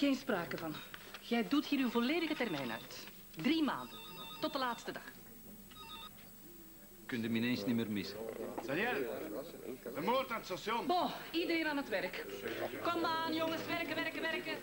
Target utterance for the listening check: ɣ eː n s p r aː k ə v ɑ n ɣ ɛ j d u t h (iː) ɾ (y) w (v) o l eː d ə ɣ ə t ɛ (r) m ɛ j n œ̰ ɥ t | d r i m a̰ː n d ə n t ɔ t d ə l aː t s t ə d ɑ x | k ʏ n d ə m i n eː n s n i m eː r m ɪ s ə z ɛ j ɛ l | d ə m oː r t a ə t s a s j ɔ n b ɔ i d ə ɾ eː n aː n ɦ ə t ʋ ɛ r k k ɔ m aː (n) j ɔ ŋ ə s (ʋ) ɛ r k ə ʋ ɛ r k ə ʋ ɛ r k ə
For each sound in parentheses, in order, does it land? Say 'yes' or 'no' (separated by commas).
yes, yes, yes, yes, yes, yes